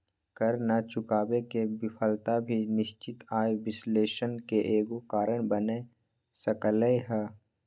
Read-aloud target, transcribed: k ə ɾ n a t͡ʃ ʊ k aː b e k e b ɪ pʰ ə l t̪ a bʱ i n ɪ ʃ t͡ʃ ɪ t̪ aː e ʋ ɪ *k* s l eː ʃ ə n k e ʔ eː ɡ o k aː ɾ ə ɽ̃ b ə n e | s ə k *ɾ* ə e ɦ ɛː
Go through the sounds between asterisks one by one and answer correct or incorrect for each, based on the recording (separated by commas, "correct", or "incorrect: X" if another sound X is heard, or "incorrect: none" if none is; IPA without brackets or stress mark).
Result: incorrect: none, incorrect: l